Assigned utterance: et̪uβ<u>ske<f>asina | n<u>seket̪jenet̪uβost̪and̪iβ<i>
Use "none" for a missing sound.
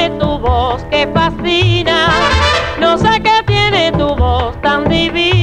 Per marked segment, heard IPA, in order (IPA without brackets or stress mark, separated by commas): o, f, o, i